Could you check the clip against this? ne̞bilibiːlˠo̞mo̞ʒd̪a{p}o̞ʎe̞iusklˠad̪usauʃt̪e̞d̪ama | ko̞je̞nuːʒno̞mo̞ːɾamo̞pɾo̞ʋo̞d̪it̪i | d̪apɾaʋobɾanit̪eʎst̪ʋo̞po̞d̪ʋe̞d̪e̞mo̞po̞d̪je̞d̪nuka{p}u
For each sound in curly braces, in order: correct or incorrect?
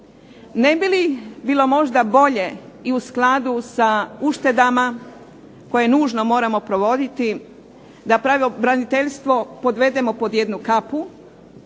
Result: incorrect: b, correct

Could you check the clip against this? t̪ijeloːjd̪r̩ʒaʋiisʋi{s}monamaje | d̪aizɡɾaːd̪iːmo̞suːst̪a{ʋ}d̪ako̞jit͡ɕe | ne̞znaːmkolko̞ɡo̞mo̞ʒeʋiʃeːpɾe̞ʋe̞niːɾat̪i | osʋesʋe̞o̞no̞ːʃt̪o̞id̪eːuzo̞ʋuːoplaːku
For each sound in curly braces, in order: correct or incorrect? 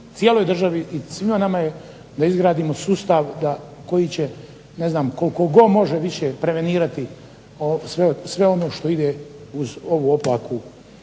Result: incorrect: none, correct

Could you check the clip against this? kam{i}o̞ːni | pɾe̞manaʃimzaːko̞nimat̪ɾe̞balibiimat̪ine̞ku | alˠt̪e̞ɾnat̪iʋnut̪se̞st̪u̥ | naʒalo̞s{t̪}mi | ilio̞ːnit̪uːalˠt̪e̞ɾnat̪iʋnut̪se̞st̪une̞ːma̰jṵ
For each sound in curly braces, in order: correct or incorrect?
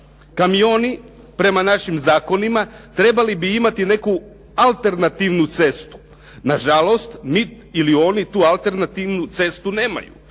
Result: correct, correct

